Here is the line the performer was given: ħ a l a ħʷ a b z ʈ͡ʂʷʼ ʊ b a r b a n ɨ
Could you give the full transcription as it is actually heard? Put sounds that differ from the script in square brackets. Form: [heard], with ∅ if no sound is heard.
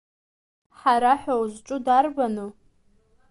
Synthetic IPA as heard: ħ a [ɾ] a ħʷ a [w] z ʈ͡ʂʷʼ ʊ [d] a r b a n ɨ